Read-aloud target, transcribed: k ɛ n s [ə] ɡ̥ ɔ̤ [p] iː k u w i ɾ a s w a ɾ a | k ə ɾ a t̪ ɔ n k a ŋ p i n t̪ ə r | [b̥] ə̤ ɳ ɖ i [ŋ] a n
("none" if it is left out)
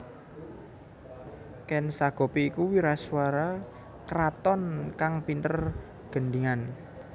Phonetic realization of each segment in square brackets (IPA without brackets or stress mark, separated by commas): a, p, ɡ̥, ŋ